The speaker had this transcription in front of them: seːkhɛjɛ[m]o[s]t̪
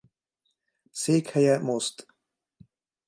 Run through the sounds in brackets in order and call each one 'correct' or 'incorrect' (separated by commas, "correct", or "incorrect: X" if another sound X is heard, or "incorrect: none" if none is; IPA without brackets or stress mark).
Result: correct, correct